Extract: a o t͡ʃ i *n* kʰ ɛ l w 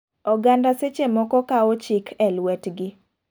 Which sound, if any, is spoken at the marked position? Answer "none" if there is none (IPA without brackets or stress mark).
none